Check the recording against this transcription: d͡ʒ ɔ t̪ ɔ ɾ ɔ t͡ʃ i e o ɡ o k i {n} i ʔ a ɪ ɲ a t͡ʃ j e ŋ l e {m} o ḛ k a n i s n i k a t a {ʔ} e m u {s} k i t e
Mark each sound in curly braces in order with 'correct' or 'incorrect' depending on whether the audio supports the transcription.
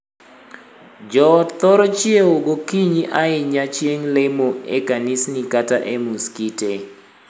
incorrect: ɲ, correct, correct, correct

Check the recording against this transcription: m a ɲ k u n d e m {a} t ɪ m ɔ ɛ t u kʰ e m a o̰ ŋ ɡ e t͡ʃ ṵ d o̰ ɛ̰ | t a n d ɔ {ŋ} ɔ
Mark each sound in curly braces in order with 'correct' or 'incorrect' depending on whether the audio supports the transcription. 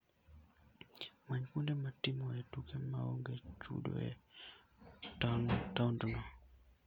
correct, incorrect: n

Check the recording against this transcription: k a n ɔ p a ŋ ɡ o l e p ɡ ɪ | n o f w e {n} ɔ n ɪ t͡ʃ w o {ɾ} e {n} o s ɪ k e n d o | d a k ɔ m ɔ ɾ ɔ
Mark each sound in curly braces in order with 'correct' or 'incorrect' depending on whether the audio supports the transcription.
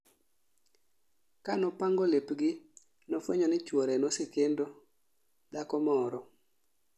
incorrect: ɲ, correct, correct

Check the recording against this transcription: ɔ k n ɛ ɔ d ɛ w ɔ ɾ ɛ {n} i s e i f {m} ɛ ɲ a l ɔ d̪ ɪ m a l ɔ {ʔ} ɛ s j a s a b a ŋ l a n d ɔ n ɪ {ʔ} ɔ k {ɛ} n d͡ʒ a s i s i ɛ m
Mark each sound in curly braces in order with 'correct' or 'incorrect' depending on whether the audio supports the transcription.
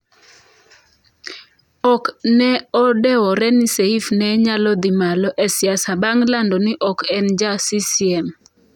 correct, incorrect: n, correct, correct, correct

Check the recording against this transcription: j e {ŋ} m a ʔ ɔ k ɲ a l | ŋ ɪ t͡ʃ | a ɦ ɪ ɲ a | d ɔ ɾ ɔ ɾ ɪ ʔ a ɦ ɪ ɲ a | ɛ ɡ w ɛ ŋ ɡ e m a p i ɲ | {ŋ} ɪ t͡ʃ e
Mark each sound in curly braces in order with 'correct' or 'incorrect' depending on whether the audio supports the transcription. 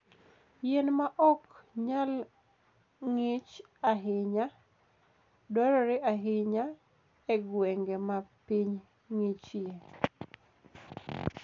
incorrect: n, correct

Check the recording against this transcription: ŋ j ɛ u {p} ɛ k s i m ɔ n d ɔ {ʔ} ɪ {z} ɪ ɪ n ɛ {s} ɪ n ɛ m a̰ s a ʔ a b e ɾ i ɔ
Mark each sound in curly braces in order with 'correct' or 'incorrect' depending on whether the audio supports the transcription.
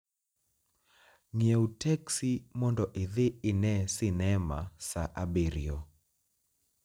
incorrect: t, correct, incorrect: ð, correct

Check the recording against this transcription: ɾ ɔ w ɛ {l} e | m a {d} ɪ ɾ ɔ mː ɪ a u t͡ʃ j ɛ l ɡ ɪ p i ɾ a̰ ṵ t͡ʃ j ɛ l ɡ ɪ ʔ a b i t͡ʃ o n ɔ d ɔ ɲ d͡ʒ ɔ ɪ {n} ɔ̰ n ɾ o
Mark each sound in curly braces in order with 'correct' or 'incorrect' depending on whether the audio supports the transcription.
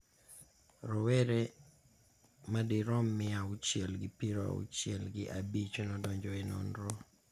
incorrect: ɾ, correct, correct

